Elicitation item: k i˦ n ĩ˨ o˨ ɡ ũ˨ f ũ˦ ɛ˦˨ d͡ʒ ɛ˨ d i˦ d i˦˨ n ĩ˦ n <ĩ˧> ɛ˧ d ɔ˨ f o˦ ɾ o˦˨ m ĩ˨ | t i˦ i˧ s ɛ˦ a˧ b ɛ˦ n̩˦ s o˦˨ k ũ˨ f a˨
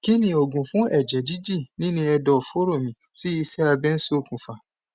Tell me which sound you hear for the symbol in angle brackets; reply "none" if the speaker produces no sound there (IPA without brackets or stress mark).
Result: ĩ˧